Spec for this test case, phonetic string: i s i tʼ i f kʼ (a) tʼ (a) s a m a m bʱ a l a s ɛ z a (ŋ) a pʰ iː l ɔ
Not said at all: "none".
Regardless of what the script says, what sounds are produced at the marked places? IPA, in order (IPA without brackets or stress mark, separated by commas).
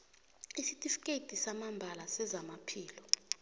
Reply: e, i, m